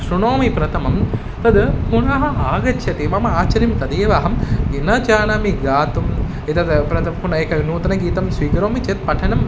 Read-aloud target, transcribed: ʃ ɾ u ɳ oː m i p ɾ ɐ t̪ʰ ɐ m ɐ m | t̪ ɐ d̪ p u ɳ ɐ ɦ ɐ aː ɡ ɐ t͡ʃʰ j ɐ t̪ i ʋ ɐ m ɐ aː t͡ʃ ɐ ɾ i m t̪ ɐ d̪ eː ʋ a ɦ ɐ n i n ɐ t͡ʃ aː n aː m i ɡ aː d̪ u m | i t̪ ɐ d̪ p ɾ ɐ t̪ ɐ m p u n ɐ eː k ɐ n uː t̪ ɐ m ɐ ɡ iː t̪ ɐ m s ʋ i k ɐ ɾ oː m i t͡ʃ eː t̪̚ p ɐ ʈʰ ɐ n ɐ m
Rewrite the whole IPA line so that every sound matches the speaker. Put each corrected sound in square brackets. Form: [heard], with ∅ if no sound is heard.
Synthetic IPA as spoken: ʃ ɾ u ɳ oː m i p ɾ ɐ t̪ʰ ɐ m ɐ m | t̪ ɐ d̪ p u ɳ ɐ ɦ ɐ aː ɡ ɐ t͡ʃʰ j ɐ t̪ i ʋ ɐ m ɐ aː t͡ʃ ɐ ɾ i m t̪ ɐ d̪ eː ʋ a ɦ ɐ [m] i n ɐ t͡ʃ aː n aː m i ɡ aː [t̪] u m | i t̪ ɐ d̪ p ɾ ɐ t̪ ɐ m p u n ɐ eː k ɐ n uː t̪ ɐ [n] ɐ ɡ iː t̪ ɐ m s ʋ [iː] k ɐ ɾ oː m i t͡ʃ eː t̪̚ p ɐ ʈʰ ɐ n ɐ m